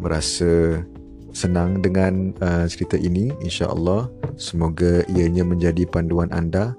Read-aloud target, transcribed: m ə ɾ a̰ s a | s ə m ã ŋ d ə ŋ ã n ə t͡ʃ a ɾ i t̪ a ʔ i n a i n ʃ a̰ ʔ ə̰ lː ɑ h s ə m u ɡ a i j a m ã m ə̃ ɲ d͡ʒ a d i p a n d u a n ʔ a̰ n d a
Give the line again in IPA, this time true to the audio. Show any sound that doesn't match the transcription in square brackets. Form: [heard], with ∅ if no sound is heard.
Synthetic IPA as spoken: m ə ɾ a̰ s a | s ə [n] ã ŋ d ə ŋ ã n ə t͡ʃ [ə] ɾ i t̪ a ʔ i n [i] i n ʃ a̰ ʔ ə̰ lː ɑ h s ə m [o] ɡ a i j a [ɲ] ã m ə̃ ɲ d͡ʒ a d i p a n d u a n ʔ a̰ n d a